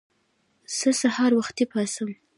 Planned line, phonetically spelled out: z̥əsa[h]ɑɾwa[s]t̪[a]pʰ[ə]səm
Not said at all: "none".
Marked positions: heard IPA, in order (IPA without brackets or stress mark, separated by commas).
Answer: h, x, i, ɑ